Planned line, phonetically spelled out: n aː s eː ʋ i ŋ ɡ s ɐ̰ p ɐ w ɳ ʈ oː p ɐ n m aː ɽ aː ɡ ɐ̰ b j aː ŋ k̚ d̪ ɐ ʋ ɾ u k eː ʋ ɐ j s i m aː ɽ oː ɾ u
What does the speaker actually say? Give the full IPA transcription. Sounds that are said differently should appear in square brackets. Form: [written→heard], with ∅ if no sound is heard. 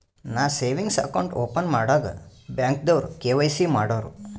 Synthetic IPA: n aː s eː ʋ i ŋ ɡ s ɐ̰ [p→k] ɐ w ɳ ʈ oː p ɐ n m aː ɽ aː ɡ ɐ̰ b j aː ŋ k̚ d̪ ɐ ʋ ɾ u k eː ʋ ɐ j s i m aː ɽ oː ɾ u